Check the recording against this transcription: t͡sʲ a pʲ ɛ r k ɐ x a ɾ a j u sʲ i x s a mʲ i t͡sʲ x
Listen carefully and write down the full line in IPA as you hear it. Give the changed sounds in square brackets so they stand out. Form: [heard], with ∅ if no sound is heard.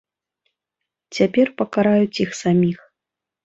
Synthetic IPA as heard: t͡sʲ a pʲ ɛ r [p] ɐ [k] a ɾ a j u [t͡sʲ] i x s a mʲ i [∅] x